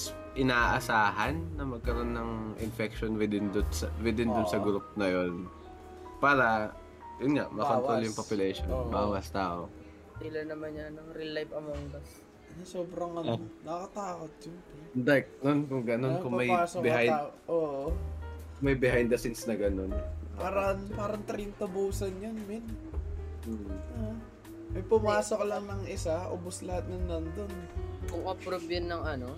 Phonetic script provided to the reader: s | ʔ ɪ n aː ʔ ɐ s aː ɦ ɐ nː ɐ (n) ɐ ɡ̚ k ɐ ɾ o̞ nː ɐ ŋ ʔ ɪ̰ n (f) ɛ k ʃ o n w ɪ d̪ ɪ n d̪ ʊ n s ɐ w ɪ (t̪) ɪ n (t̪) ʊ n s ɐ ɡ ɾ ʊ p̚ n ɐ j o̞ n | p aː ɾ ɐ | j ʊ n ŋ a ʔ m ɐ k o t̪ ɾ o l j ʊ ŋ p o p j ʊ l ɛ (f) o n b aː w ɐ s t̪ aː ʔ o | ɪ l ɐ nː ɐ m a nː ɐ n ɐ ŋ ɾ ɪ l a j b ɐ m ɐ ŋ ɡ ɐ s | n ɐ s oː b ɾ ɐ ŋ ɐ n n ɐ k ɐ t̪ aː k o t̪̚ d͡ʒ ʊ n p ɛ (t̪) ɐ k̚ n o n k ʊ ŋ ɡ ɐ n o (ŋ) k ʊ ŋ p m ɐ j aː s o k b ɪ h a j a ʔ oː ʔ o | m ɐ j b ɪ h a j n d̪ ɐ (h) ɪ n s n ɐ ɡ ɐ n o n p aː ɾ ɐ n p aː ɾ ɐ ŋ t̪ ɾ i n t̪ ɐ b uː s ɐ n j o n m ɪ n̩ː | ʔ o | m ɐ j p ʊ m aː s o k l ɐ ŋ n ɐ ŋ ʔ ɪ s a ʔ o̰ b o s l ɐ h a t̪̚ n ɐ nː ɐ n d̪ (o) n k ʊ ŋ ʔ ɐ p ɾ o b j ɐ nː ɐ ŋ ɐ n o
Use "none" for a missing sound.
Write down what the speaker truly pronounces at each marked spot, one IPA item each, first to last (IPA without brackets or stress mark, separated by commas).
m, f, d̪, d̪, ʃ, d̪, n, s, o